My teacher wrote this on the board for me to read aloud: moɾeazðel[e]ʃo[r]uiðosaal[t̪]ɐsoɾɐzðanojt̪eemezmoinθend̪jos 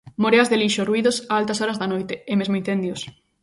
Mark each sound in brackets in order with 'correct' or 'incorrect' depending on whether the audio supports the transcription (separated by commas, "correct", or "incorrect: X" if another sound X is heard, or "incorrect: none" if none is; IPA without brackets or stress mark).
incorrect: i, correct, correct